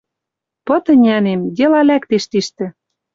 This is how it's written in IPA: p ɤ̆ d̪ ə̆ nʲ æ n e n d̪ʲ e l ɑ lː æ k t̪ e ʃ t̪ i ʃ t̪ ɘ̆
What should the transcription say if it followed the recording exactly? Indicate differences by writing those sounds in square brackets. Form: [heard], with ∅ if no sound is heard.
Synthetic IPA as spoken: p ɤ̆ [t̪] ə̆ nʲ æ n e [m] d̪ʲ e l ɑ [l] æ k t̪ e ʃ t̪ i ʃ t̪ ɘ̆

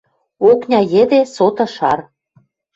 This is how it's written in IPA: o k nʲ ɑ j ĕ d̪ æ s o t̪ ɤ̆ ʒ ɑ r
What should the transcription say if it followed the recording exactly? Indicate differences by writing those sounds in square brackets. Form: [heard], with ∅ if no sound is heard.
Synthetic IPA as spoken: o k nʲ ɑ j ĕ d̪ [e] s o t̪ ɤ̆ [ʃ] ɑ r

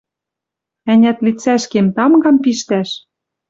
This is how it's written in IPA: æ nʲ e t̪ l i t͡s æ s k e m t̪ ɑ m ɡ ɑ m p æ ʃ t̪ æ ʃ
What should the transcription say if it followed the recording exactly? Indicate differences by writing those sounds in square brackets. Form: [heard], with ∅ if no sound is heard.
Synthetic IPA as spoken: æ nʲ [æ] t̪ l i t͡s æ [ʃ] k e m t̪ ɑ m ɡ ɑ m p [i] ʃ t̪ æ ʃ

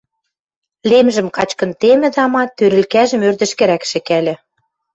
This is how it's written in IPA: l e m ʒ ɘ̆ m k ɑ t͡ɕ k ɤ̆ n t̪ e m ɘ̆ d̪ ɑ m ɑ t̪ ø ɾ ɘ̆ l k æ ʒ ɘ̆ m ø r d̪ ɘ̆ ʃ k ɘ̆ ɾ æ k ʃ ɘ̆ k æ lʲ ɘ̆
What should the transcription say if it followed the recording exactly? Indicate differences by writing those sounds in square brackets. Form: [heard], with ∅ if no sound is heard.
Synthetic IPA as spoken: l e m ʒ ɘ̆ m k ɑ t͡ɕ k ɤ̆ n t̪ e m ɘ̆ d̪ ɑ m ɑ t̪ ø ɾ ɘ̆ l k æ ʒ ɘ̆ m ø r d̪ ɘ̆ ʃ k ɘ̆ ɾ æ k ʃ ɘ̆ k æ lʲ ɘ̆

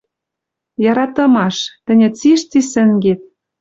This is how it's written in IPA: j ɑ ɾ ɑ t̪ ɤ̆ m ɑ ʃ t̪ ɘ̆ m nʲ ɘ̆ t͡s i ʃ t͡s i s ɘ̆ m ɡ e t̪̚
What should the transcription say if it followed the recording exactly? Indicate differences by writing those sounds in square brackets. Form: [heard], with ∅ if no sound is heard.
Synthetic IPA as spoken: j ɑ ɾ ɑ t̪ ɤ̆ m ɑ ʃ t̪ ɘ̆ [∅] nʲ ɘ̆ t͡s i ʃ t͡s i s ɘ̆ [ŋ] ɡ e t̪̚

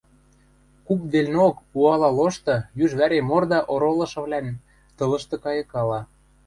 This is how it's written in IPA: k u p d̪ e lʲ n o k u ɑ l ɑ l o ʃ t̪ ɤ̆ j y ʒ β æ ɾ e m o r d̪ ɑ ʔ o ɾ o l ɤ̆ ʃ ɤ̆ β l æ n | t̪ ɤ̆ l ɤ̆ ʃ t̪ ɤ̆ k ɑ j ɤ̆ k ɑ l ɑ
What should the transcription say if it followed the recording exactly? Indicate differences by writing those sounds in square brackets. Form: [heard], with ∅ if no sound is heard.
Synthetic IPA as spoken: k u p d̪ e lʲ n o k u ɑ l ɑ l o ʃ t̪ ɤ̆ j y ʒ β æ ɾ e m o r d̪ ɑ ʔ o ɾ o l ɤ̆ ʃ ɤ̆ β l æ n | t̪ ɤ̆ l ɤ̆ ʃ t̪ ɤ̆ k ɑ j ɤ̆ k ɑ l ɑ

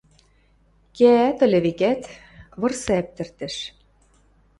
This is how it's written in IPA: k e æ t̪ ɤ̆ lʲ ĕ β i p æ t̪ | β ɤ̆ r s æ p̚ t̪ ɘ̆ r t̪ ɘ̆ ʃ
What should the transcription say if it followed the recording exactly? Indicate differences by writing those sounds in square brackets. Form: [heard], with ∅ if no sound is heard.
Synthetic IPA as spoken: k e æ t̪ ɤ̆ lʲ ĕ β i [k] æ t̪ | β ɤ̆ r s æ p̚ t̪ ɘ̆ r t̪ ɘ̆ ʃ

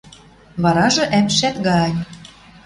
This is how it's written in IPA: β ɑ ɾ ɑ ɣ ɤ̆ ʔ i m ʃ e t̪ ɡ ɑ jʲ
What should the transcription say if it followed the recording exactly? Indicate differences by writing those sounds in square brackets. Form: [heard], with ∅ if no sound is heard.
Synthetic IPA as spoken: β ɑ ɾ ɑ [ʒ] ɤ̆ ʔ [æ] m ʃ [æ] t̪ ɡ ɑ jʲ

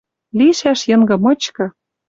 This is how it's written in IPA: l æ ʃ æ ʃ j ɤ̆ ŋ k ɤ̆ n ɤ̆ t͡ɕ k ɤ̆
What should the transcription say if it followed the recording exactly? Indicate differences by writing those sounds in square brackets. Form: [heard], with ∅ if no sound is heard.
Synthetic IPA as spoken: l [i] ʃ æ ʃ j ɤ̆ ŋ [ɡ] ɤ̆ [m] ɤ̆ t͡ɕ k ɤ̆

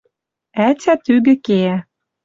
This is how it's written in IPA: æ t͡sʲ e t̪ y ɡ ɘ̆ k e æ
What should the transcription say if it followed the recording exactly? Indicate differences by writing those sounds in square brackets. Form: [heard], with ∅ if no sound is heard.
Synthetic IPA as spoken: æ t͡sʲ [æ] t̪ y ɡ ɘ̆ k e æ

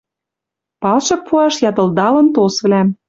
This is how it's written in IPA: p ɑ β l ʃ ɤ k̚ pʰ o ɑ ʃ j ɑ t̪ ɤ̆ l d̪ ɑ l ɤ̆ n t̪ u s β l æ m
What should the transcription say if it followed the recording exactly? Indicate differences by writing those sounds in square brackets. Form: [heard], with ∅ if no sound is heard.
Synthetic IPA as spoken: p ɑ [∅] l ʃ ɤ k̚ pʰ [u] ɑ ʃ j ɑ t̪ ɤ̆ l d̪ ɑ l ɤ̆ n t̪ [o] s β l æ m

